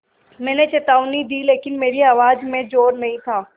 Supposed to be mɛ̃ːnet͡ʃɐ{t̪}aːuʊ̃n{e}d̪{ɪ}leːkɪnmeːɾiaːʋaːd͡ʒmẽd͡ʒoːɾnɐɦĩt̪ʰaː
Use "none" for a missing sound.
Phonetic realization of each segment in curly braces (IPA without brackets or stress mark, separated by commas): t̪, i, i